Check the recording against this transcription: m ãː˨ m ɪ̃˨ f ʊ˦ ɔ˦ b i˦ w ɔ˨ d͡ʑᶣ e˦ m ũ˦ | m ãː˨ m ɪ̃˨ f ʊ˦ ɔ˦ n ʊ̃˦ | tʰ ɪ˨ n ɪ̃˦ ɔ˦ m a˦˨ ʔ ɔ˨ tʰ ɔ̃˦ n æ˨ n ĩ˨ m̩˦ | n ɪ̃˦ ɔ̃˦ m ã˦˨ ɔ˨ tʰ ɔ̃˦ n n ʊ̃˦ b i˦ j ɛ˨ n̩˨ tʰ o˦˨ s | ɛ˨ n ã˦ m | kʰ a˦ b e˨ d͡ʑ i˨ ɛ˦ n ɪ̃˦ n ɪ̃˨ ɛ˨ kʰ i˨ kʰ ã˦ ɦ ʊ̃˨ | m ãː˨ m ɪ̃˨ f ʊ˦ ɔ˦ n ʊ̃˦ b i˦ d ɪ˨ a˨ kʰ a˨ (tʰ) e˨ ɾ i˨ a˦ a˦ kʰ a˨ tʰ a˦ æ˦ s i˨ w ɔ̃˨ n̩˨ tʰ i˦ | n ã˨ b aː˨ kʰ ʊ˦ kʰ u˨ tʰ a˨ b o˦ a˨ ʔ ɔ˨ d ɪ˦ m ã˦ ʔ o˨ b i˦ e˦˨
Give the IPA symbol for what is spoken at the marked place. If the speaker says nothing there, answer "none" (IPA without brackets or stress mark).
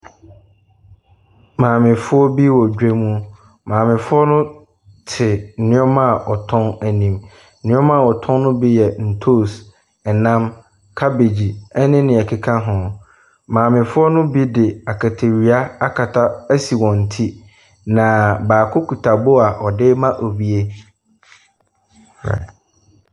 tʰ